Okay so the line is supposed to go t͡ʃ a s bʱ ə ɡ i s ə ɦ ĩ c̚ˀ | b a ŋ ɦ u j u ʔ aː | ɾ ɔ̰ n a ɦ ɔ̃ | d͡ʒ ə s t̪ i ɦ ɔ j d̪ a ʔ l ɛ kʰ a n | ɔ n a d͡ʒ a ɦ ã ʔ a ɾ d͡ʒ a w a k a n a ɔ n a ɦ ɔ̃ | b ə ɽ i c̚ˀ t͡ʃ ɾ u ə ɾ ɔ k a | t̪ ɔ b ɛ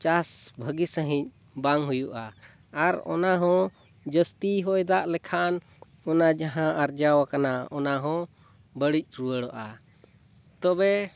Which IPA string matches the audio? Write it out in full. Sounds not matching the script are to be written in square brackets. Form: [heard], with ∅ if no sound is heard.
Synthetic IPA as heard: t͡ʃ a s bʱ ə ɡ i s ə ɦ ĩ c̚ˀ | b a ŋ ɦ u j u ʔ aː | ɾ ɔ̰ n a ɦ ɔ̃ | d͡ʒ ə s t̪ i ɦ ɔ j d̪ a ʔ l ɛ kʰ a n | ɔ n a d͡ʒ a ɦ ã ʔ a ɾ d͡ʒ a w a k a n a ɔ n a ɦ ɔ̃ | b ə ɽ i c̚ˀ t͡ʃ ɾ u ə [ɽ] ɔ [ʔ] a | t̪ ɔ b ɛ